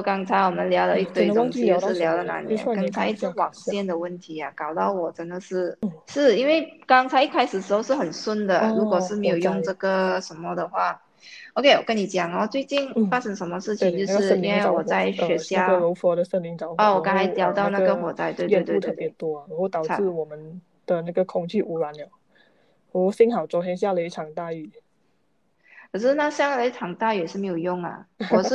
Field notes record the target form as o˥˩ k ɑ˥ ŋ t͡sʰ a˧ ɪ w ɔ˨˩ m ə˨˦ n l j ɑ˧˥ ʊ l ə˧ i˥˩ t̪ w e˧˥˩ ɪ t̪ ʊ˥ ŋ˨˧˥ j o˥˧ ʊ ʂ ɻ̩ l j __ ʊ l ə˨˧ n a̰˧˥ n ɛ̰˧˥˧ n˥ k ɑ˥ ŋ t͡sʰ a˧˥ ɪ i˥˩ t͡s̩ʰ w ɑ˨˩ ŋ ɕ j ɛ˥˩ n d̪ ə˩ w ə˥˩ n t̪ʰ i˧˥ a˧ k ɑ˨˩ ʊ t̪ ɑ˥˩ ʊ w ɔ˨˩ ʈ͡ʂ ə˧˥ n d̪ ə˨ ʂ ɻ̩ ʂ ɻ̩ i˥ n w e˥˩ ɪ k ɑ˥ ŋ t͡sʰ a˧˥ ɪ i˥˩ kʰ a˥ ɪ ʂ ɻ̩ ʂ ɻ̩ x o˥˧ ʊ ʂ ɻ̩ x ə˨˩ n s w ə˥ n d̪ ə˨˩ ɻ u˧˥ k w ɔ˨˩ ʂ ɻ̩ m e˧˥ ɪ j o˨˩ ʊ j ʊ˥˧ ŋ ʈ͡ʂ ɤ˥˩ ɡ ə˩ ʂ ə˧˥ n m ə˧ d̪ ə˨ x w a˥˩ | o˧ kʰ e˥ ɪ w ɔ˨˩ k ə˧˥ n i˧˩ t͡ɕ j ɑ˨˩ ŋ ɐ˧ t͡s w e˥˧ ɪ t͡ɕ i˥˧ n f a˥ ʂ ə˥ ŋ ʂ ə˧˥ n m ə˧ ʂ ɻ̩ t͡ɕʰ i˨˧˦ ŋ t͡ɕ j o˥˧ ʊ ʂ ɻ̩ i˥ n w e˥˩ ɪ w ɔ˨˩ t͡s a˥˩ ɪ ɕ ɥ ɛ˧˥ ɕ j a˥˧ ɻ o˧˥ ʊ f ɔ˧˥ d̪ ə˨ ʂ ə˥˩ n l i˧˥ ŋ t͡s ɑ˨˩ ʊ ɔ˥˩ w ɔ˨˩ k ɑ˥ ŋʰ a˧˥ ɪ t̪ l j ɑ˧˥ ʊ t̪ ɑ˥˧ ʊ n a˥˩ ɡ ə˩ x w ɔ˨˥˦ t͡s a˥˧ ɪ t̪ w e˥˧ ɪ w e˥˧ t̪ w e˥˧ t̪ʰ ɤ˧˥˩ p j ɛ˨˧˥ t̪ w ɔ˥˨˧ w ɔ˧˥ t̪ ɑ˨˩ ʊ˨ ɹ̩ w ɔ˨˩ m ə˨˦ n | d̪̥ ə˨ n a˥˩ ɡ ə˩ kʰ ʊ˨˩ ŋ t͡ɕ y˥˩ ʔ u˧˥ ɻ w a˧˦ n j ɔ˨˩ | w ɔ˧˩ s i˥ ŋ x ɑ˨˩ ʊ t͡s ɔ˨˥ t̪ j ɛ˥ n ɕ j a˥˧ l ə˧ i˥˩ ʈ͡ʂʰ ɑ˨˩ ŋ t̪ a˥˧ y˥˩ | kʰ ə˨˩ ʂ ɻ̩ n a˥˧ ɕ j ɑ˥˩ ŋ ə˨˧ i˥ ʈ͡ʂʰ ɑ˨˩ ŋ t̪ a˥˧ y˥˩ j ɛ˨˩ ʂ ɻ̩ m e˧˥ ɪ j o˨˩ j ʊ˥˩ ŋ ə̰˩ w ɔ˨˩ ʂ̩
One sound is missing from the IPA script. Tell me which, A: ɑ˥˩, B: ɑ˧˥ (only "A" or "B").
B